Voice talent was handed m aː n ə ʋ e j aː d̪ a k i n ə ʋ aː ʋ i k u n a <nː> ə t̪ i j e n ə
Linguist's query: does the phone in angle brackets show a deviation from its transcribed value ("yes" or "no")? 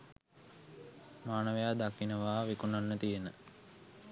no